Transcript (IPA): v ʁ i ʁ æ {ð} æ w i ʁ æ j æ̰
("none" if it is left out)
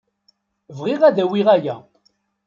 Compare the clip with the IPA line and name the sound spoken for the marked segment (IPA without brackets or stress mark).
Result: ð